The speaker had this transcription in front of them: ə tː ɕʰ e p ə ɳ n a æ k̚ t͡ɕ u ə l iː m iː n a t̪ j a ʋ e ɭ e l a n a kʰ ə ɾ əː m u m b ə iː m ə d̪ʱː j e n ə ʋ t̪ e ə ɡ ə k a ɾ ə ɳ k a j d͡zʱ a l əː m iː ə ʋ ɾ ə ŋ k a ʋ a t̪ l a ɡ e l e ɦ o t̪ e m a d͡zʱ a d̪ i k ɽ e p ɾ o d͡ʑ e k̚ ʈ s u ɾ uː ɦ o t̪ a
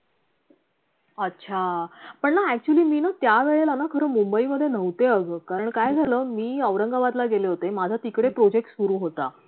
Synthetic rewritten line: ə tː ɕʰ a p ə ɳ n a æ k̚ t͡ɕ u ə l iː m iː n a t̪ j a ʋ e ɭ e l a n a kʰ ə ɾ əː m u m b ə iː m ə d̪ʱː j e n ə ʋ t̪ e ə ɡ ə k a ɾ ə ɳ k a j d͡zʱ a l əː m iː ə ʋ ɾ ə ŋ ɡ a ʋ a t̪ l a ɡ e l e ɦ o t̪ e m a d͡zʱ a t̪ i k ɽ e p ɾ o d͡ʑ e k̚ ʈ s u ɾ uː ɦ o t̪ a